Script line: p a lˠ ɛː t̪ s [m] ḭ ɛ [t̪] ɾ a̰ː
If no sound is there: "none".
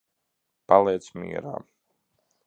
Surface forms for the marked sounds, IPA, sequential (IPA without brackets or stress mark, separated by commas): m, none